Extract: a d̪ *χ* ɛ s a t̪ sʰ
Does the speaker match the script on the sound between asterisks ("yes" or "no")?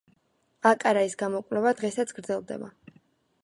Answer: no